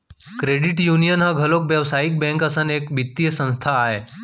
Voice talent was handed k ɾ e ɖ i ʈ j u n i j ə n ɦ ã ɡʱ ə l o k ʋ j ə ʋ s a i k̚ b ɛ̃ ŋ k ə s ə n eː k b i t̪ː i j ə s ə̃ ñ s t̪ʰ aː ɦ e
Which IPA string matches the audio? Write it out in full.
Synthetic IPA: k ɾ e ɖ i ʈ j u n i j ə n ɦ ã ɡʱ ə l o k ʋ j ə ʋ s a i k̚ b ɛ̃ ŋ k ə s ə n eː k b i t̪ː i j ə s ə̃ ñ s t̪ʰ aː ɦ e